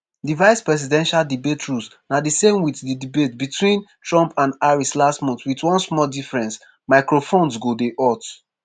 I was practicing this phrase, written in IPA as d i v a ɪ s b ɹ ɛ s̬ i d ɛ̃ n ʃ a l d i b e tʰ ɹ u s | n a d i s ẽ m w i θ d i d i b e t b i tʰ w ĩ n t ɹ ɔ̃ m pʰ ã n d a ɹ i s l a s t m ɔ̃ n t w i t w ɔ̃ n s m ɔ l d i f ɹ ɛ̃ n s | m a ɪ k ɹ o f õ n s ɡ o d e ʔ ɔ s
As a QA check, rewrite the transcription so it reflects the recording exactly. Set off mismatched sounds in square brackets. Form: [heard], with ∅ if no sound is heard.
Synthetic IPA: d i v a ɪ s [p] ɹ ɛ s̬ i d ɛ̃ n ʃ a l d i b e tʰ ɹ u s | n a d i s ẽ m w i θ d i d i b e t b i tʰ w ĩ n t ɹ ɔ̃ m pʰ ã n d a ɹ i s l a s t m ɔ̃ n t w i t w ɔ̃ n s m ɔ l d i f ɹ ɛ̃ n s | m a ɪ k ɹ o f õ n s ɡ o d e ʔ ɔ [t]